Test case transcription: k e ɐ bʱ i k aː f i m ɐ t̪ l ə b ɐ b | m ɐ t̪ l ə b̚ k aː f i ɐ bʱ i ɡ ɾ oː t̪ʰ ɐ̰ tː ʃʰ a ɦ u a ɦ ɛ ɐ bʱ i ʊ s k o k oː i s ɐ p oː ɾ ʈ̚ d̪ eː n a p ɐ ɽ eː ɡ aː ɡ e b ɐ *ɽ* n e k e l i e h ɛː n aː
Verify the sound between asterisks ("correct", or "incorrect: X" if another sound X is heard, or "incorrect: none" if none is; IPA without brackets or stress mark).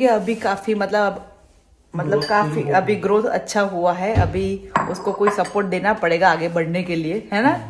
correct